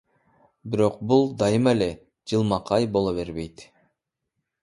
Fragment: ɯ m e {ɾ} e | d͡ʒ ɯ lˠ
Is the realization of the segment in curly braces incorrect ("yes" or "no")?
yes